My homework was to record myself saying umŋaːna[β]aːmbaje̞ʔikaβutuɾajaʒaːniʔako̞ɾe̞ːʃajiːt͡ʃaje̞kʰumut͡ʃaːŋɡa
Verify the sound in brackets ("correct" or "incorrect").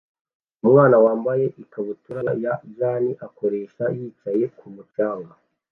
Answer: incorrect